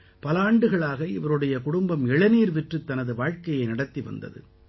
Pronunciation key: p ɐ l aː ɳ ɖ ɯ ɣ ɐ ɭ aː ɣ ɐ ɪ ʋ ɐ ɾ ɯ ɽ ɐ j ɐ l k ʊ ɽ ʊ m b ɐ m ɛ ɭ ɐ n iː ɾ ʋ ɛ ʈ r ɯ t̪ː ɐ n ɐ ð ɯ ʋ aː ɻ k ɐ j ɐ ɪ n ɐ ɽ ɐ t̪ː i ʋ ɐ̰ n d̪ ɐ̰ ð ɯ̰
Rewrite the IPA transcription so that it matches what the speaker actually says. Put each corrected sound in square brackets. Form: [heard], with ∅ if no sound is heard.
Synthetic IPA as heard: p ɐ l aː ɳ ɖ ɯ ɣ ɐ ɭ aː ɣ ɐ ɪ ʋ ɐ ɾ ɯ ɽ ɐ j ɐ [∅] k ʊ ɽ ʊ m b ɐ m ɛ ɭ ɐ n iː ɾ ʋ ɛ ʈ r ɯ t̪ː ɐ n ɐ ð ɯ ʋ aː ɻ k ɐ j ɐ ɪ n ɐ ɽ ɐ t̪ː i ʋ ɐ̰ n d̪ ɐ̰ ð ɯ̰